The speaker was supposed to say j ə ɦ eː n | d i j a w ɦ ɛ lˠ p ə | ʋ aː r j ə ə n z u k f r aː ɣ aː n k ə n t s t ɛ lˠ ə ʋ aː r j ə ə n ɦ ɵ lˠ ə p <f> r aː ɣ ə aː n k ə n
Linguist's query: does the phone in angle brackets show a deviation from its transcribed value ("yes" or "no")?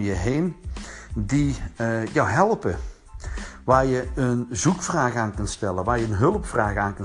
no